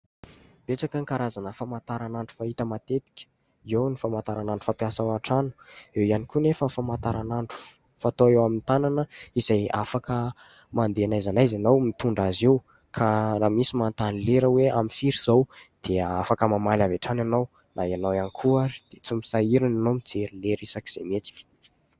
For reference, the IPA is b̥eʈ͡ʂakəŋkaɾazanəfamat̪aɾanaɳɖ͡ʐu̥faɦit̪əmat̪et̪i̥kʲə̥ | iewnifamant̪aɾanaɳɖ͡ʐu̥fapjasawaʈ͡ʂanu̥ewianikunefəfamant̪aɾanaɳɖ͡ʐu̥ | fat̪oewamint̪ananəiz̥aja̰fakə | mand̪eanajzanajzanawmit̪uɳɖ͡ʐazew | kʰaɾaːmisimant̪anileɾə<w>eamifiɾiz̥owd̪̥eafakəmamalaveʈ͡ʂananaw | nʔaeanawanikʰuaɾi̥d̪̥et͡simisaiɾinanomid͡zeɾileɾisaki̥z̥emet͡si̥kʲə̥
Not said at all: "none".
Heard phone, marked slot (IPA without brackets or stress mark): w